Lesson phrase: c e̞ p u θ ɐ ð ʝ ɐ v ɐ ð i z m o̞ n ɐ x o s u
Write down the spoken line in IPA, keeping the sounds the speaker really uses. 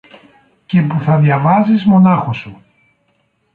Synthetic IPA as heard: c e̞ p u θ ɐ ð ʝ ɐ v ɐ z i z m o̞ n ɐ x o s u